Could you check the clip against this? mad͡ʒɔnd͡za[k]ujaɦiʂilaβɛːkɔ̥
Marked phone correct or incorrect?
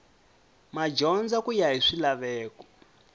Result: correct